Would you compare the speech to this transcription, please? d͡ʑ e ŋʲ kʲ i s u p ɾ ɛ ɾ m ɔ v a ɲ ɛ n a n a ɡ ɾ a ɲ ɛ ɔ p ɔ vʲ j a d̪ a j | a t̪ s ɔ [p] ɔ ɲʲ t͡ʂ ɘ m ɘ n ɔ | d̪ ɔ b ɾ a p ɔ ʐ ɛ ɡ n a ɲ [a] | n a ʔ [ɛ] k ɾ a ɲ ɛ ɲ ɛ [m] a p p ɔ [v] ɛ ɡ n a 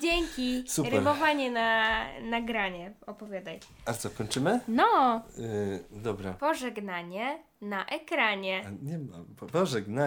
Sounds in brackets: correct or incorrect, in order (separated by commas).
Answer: incorrect, incorrect, correct, correct, incorrect